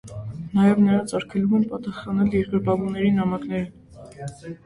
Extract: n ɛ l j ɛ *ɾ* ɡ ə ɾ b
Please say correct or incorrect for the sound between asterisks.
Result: correct